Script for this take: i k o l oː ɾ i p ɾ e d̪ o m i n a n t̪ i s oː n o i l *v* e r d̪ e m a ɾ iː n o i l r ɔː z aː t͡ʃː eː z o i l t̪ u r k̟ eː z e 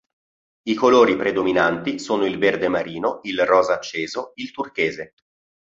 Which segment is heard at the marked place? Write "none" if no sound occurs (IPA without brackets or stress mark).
v